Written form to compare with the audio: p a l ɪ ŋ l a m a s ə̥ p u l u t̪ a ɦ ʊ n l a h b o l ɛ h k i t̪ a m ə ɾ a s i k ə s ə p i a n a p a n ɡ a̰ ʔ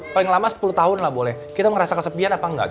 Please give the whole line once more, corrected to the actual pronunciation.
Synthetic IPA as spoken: p a l ɪ ŋ l a m a s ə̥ p u l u t̪ a ɦ ʊ n l a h b o l ɛ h k i t̪ a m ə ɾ a s a k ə s ə p i a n a p a ŋ ɡ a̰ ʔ